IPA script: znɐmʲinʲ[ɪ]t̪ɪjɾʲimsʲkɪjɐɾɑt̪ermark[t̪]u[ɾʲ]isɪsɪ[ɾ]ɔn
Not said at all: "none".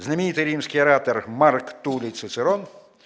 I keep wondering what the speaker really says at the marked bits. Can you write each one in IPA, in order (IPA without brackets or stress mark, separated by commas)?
i, t̪, lʲ, ɾ